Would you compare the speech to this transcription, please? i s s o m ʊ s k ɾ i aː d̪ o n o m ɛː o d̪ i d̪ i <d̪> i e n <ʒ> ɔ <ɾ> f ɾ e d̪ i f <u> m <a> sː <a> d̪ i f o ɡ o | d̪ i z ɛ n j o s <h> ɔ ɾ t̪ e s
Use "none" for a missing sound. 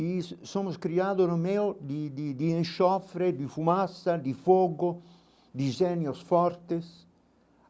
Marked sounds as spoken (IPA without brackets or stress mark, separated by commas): d̪, ʃ, none, u, a, a, f